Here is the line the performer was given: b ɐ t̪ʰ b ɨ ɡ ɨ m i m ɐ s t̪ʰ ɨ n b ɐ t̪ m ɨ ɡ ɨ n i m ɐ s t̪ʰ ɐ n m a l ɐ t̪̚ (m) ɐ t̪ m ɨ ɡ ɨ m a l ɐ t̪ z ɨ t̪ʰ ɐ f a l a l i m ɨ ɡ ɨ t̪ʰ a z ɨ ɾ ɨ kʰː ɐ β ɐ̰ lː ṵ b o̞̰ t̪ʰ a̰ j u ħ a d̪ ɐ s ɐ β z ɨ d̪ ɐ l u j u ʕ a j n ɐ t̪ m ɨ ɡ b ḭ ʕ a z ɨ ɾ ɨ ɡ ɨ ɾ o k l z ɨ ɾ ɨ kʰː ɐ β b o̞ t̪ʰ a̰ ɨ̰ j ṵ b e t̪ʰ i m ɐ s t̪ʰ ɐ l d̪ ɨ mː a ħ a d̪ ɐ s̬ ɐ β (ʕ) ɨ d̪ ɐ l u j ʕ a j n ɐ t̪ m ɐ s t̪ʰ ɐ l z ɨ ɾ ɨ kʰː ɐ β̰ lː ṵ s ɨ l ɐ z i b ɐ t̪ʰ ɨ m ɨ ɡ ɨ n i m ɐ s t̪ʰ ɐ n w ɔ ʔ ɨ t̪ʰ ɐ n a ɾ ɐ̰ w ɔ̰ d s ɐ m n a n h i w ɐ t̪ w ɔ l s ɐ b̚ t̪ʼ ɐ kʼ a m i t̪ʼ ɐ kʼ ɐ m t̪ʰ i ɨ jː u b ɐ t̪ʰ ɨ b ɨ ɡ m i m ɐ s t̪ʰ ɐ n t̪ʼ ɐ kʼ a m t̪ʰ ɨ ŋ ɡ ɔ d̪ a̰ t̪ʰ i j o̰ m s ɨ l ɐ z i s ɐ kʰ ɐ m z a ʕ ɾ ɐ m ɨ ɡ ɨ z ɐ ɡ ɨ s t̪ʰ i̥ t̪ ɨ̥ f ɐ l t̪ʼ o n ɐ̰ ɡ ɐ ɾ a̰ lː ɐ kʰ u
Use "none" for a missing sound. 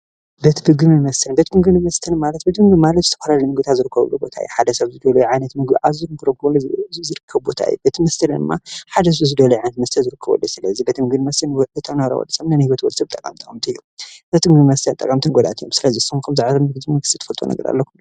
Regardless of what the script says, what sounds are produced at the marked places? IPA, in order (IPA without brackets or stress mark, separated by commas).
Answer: b, z